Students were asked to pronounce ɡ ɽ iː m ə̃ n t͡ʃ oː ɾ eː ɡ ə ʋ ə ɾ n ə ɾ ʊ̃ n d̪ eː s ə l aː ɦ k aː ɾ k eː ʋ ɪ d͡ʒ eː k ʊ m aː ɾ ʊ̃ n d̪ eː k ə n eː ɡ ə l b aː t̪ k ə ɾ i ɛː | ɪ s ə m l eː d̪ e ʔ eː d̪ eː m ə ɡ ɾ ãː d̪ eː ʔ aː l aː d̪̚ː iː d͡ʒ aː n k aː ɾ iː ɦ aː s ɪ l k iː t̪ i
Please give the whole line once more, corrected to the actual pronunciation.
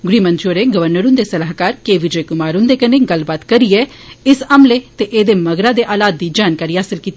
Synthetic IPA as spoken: ɡ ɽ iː m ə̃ n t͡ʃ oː ɾ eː ɡ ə ʋ ə ɾ n ə ɾ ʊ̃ n d̪ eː s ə l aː ɦ k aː ɾ k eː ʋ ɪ d͡ʒ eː k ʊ m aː ɾ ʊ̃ n d̪ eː k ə n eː ɡ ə l b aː t̪ k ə ɾ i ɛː | ɪ s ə m l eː t̪ e ʔ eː d̪ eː m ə ɡ ɾ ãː d̪ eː ʔ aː l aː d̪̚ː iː d͡ʒ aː n k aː ɾ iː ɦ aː s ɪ l k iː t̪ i